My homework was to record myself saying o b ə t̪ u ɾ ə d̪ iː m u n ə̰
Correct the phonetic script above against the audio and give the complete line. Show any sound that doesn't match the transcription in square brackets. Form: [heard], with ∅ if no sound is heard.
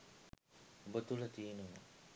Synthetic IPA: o b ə t̪ u [l] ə [t̪] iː [n] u [m] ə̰